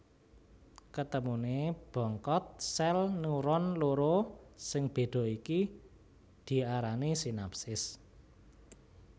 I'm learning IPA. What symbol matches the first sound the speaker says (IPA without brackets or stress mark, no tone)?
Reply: k